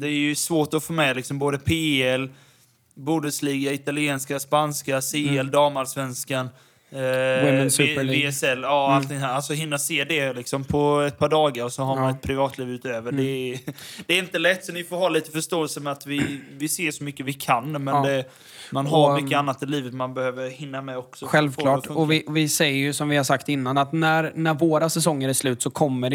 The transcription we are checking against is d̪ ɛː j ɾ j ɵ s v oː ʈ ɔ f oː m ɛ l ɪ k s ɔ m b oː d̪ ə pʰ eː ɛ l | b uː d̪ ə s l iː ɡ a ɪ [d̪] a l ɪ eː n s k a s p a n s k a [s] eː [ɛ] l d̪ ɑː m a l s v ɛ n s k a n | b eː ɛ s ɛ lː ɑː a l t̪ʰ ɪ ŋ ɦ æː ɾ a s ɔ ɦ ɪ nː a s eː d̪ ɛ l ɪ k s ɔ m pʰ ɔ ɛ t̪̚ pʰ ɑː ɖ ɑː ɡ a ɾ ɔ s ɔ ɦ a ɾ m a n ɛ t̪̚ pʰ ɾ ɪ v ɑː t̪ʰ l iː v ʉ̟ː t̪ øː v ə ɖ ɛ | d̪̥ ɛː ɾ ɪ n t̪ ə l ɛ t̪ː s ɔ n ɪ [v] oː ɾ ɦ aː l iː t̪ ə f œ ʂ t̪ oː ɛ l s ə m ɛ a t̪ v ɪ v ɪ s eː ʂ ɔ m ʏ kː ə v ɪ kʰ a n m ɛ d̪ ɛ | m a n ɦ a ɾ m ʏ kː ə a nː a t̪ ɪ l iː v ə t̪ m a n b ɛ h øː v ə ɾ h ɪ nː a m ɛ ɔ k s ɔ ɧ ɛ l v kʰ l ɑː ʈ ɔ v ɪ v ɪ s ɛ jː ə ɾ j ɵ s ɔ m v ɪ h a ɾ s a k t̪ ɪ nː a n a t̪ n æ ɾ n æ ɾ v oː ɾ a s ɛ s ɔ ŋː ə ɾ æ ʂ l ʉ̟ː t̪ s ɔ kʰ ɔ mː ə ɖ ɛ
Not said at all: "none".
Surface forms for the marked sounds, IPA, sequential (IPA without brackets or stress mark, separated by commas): t̪, s, ɛ, f